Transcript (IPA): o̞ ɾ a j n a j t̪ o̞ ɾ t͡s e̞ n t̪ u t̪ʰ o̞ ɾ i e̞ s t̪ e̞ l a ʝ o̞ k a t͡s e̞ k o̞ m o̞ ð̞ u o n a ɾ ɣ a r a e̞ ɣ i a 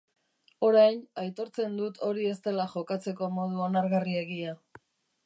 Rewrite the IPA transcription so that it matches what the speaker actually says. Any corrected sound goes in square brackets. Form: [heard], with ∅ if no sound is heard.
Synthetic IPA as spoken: o̞ ɾ a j n a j t̪ o̞ ɾ t͡s e̞ n [d̪] u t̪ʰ o̞ ɾ i e̞ s t̪ e̞ l a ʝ o̞ k a t͡s e̞ k o̞ m o̞ ð̞ u o n a ɾ ɣ a r [i] e̞ ɣ i a